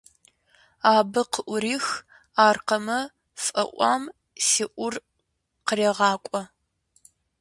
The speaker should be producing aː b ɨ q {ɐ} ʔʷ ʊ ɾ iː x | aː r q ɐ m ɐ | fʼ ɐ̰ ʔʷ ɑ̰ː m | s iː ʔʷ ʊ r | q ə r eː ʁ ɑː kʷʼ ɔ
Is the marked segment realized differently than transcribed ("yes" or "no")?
yes